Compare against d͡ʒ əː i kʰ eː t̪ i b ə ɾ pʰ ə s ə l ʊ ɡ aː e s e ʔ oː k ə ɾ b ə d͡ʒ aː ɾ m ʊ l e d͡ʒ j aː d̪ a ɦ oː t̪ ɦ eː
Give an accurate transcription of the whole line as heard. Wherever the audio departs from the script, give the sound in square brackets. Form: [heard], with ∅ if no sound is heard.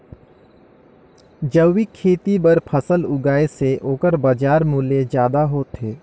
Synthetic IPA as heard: d͡ʒ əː i kʰ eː t̪ i b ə ɾ pʰ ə s ə l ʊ ɡ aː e s e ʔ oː k ə ɾ b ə d͡ʒ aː ɾ m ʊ l e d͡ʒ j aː d̪ a ɦ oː t̪ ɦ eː